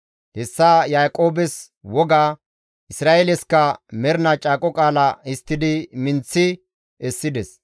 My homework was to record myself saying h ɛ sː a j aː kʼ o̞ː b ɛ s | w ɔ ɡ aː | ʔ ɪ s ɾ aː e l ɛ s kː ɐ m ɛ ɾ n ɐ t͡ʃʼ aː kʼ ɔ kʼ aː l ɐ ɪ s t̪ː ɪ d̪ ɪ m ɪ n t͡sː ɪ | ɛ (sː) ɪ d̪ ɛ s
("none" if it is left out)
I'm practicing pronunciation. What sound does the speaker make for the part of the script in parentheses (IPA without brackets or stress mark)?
sː